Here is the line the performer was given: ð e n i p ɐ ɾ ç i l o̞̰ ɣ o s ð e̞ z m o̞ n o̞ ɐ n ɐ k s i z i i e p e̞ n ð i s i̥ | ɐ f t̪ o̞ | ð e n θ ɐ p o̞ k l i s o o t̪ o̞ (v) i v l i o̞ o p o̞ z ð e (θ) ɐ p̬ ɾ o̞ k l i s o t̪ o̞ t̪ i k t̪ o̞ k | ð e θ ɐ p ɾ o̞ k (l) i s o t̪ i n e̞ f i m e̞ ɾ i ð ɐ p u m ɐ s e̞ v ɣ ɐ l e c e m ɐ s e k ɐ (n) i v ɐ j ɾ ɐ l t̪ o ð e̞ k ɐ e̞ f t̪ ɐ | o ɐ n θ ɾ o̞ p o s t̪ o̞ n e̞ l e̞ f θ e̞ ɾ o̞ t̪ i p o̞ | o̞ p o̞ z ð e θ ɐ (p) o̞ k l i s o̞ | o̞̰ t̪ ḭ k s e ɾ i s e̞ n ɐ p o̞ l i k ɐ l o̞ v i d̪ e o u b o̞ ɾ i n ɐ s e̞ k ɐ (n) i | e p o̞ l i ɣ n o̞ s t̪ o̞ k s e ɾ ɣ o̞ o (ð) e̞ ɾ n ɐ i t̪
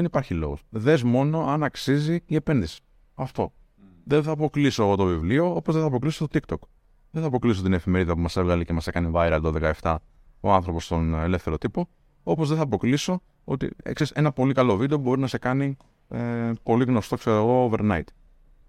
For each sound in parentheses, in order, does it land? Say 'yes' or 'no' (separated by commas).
yes, yes, yes, yes, yes, yes, no